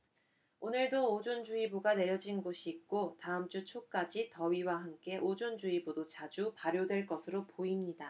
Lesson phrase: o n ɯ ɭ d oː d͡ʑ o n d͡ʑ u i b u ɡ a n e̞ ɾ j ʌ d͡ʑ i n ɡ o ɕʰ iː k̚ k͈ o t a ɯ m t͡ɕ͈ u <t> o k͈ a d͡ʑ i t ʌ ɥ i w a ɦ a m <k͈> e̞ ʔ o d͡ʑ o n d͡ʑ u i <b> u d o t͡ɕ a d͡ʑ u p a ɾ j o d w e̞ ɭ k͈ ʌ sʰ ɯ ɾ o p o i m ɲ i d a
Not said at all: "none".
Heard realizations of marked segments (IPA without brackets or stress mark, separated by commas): t͡ɕʰ, k͈, b